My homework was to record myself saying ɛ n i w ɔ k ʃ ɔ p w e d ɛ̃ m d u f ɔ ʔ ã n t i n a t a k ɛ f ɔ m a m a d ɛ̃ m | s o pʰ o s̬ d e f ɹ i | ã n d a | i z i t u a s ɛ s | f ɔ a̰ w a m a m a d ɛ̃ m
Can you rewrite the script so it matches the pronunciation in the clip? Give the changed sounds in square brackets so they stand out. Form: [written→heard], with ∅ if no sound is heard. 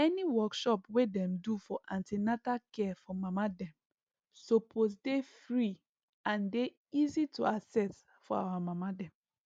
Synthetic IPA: ɛ n i w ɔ k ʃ ɔ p w e d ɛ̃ m d u f ɔ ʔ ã n t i n a t a k ɛ f ɔ m a m a d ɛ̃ m | s o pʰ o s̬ d e f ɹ i | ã n d [a→e] | i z i t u a s ɛ s | f ɔ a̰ w a m a m a d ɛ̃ m